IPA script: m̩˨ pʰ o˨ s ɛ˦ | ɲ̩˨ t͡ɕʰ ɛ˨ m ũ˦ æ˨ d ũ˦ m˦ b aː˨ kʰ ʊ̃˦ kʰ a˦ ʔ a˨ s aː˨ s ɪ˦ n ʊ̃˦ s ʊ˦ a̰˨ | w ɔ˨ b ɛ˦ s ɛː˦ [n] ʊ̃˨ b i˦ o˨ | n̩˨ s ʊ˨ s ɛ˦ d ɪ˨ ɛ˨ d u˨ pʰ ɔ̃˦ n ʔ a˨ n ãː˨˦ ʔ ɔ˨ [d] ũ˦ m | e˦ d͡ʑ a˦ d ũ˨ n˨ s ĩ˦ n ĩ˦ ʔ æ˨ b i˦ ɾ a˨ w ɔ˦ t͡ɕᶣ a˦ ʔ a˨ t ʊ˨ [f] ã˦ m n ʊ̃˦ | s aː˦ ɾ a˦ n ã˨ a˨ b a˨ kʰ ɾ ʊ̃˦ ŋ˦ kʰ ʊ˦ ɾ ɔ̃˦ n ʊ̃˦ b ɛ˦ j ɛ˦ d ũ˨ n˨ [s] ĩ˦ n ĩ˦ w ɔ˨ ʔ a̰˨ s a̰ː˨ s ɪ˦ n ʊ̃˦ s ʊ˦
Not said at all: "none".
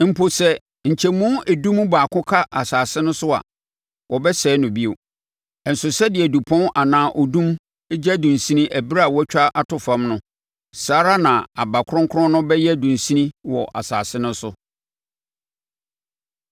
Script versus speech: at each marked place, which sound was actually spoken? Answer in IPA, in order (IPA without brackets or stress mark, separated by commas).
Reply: n, d, f, s